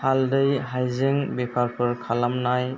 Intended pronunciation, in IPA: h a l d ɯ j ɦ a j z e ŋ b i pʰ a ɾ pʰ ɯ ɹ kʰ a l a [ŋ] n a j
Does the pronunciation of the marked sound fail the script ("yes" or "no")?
yes